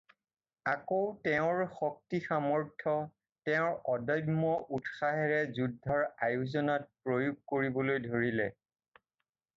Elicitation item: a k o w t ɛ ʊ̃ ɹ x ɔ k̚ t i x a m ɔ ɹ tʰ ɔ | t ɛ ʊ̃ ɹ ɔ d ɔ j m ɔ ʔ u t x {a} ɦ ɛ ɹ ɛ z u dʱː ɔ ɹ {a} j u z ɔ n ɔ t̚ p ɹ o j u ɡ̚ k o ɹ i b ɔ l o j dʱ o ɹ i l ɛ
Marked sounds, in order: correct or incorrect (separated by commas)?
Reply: correct, correct